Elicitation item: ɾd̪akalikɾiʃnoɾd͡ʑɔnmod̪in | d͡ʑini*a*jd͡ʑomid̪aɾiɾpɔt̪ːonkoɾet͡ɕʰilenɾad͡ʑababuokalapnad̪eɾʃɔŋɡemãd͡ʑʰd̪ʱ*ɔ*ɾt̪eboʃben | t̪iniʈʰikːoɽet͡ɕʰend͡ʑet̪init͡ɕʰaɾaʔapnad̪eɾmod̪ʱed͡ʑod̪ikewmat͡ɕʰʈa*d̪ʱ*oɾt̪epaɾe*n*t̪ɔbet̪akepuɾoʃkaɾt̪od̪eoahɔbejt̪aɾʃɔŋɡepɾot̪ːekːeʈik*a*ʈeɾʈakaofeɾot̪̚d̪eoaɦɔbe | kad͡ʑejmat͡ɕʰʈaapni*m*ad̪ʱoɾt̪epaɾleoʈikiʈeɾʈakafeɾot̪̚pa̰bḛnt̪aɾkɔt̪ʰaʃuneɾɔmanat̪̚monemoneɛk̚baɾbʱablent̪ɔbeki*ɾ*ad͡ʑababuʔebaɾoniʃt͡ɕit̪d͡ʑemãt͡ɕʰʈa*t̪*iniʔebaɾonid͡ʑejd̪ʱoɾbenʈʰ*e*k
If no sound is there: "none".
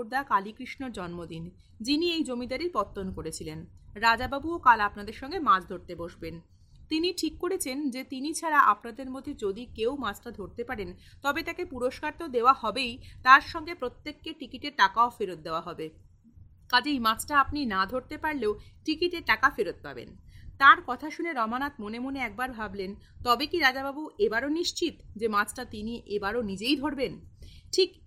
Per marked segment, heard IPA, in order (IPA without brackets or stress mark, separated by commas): e, o, d̪ʱ, n, i, n, ɾ, t̪, i